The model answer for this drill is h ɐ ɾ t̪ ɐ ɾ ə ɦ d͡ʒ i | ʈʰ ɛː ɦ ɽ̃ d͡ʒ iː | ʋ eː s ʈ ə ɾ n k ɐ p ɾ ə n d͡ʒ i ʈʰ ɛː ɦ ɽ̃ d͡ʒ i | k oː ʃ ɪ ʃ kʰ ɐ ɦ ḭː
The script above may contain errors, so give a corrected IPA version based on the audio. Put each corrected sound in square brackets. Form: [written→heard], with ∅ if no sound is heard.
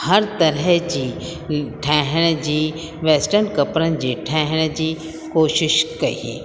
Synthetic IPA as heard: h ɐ ɾ t̪ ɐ ɾ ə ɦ d͡ʒ i | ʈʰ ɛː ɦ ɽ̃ d͡ʒ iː | ʋ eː s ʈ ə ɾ n k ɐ p ɾ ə n d͡ʒ i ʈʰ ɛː ɦ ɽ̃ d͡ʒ i | k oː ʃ ɪ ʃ [kʰ→k] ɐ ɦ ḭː